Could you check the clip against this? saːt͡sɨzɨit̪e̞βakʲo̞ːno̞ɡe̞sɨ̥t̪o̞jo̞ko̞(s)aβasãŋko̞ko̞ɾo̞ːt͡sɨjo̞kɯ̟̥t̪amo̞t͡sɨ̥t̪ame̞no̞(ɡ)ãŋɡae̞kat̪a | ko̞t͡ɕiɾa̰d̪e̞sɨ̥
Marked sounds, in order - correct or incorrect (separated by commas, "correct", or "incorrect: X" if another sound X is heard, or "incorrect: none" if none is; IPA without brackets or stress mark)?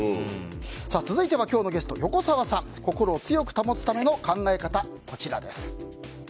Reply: correct, incorrect: k